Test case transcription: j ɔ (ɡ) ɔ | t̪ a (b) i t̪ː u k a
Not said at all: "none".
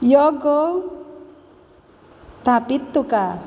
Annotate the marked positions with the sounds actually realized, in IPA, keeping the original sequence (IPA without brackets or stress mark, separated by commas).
ɡ, p